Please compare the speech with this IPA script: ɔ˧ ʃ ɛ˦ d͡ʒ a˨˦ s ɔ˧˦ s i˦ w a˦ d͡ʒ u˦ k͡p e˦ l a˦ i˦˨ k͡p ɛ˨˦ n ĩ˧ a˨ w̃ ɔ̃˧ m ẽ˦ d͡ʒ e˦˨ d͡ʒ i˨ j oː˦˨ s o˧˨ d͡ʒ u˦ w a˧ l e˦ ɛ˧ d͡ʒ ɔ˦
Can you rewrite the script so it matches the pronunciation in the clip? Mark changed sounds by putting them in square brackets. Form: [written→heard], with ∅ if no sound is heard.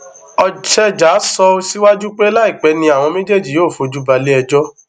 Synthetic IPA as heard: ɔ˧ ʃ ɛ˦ d͡ʒ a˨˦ s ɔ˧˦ s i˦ w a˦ d͡ʒ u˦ k͡p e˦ l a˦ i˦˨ k͡p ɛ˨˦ n ĩ˧ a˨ w̃ ɔ̃˧ m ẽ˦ d͡ʒ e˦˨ d͡ʒ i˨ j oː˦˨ [s→f] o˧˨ d͡ʒ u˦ [w→b] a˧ l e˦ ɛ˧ d͡ʒ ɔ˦